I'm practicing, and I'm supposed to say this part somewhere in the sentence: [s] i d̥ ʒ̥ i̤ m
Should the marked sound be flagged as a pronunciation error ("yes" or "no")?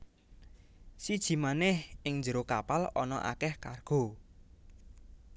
no